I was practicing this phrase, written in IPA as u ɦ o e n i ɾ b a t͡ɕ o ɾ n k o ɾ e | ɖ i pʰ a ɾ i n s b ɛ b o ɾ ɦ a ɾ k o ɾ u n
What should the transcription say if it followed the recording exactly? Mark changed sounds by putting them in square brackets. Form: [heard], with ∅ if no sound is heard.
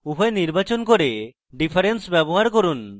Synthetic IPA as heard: u ɦ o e n i ɾ b a t͡ɕ o [∅] n k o ɾ e | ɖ i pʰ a ɾ [e] n s b ɛ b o [∅] ɦ a ɾ k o ɾ u n